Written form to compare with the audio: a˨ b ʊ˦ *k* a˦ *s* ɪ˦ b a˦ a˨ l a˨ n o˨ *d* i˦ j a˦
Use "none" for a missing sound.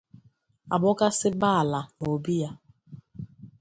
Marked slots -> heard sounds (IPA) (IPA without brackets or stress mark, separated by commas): k, s, b